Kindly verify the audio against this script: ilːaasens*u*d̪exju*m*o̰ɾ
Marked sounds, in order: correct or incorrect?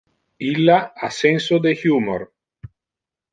incorrect, correct

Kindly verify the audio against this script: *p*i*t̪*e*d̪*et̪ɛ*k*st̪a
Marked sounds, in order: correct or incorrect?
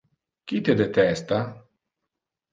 incorrect, correct, correct, incorrect

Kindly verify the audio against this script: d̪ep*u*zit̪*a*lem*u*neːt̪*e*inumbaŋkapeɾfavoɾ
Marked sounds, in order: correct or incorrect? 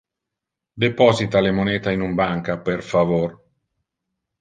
incorrect, correct, incorrect, incorrect

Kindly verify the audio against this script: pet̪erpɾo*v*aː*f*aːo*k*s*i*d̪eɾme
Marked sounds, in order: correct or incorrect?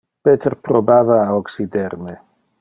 incorrect, incorrect, correct, correct

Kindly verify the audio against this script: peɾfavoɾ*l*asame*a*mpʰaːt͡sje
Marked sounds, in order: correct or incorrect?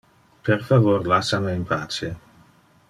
correct, incorrect

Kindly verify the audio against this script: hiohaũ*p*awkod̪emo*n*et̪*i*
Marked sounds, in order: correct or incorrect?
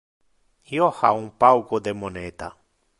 correct, correct, incorrect

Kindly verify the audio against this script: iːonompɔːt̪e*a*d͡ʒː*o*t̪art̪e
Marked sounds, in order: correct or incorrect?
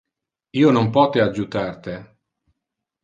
correct, incorrect

